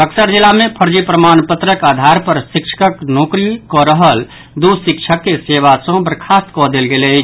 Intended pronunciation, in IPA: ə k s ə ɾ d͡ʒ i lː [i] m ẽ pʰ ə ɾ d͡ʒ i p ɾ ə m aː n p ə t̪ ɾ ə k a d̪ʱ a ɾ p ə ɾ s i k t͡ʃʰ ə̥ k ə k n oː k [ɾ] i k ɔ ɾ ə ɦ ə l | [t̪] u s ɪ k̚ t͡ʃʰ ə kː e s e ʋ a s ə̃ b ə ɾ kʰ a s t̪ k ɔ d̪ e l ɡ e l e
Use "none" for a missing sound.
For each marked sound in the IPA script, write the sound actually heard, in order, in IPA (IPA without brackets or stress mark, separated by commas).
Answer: a, ɾ, d̪